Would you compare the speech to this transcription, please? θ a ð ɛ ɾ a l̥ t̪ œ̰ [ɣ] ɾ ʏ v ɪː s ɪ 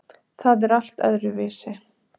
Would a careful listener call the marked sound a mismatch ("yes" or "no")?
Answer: yes